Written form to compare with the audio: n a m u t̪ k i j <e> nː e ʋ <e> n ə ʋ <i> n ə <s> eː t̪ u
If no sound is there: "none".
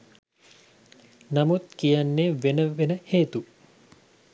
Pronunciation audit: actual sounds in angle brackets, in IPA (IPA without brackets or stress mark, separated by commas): a, e, e, h